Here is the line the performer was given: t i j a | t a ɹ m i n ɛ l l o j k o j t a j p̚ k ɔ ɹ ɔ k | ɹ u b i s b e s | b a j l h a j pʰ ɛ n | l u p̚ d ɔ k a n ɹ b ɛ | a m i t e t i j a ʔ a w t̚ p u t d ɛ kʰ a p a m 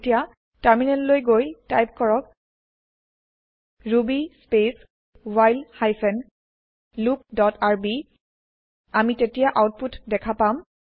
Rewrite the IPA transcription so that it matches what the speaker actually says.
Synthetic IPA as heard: t i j a | t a ɹ m i n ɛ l l o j ɡ o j t a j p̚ k ɔ ɹ ɔ k | ɹ u b i s p e s | w a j l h a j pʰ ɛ n | l u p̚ d ɔ t a ɹ b i | a m i t e t i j a ʔ a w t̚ p u t d ɛ kʰ a p a m